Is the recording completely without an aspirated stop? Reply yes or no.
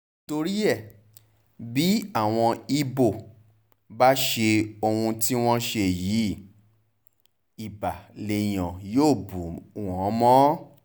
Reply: yes